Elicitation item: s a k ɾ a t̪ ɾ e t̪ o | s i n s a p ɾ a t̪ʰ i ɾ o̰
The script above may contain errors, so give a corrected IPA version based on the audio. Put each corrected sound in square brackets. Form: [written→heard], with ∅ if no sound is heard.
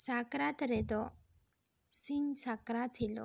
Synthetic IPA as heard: s a k ɾ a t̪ ɾ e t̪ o | s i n s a [p→k] ɾ a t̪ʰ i [ɾ→l] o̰